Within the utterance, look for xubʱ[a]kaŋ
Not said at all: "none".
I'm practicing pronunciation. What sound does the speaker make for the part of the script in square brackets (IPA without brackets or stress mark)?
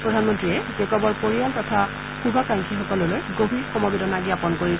a